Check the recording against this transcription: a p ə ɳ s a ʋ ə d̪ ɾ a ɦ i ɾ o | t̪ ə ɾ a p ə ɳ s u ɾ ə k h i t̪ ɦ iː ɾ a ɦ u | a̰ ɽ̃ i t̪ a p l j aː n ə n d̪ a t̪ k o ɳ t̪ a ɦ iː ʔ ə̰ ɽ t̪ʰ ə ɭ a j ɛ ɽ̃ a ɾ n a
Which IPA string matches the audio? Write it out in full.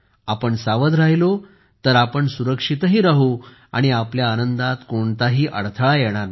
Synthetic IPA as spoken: a p ə ɳ s a ʋ ə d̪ ɾ a ɦ i l o | t̪ ə ɾ a p ə ɳ s u ɾ ə k ʂ i t̪ ɦ iː ɾ a ɦ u | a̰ ɽ̃ i a p l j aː n ə n d̪ a t̪ k o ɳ t̪ a ɦ iː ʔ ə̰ ɽ t̪ʰ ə ɭ a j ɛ ɽ̃ a ɾ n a